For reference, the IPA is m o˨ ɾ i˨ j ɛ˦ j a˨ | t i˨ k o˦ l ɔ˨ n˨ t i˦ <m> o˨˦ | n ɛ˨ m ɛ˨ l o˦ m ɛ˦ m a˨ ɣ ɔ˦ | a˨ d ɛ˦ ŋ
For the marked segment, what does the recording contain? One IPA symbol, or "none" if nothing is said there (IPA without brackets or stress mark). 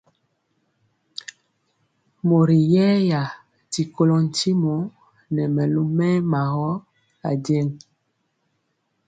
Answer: m